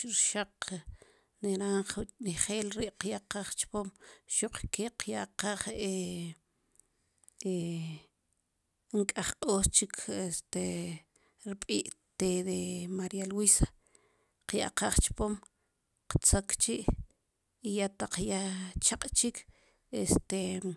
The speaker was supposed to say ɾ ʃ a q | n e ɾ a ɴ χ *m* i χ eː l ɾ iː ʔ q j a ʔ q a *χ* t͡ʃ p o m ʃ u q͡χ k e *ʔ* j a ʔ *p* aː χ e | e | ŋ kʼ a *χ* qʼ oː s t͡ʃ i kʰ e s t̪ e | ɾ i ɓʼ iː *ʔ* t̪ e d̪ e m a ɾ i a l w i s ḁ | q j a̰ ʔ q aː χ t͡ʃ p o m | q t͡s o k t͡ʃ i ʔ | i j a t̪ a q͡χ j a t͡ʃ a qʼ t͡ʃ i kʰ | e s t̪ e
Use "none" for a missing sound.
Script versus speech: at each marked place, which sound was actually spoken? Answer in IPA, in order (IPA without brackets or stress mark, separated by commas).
n, χ, q, q, χ, ʔ